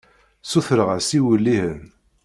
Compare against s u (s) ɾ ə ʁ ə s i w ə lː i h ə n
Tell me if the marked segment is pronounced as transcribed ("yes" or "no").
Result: no